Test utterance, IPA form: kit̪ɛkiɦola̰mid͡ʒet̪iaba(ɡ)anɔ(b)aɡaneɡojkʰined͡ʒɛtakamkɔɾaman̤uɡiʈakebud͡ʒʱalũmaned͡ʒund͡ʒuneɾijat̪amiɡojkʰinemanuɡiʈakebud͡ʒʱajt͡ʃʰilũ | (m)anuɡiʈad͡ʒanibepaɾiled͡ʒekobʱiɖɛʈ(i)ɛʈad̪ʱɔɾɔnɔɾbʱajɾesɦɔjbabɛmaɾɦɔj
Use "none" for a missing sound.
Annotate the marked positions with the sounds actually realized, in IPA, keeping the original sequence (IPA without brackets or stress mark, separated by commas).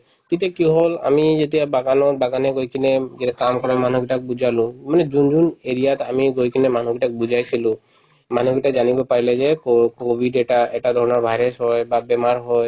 ɡ, b, m, a